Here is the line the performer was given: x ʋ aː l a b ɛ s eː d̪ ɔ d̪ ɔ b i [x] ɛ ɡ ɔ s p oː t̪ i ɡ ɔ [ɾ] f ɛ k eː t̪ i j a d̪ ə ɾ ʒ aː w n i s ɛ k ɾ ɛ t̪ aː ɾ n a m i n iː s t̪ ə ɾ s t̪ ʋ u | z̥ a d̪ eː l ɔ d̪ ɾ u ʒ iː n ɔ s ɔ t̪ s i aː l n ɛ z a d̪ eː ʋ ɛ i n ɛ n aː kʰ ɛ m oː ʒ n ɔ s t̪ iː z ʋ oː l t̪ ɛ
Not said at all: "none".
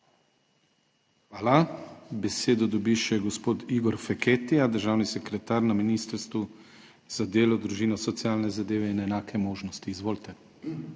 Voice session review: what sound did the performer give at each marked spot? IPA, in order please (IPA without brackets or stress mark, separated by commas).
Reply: ʃ, ɾ